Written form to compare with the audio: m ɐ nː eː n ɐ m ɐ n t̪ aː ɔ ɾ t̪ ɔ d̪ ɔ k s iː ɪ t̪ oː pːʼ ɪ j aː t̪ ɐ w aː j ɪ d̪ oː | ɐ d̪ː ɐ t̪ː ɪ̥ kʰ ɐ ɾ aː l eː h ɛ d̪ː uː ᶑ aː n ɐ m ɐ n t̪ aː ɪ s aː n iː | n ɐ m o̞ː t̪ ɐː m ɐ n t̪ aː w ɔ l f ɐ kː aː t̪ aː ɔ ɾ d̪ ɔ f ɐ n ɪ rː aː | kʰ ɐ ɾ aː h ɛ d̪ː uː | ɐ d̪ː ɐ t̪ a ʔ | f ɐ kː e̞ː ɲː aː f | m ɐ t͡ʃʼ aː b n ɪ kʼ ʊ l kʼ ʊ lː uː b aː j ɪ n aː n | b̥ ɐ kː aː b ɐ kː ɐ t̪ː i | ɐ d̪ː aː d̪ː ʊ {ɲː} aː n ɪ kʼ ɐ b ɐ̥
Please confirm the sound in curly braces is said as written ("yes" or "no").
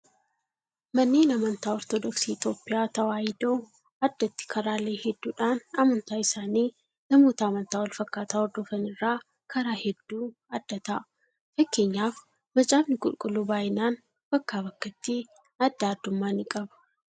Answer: no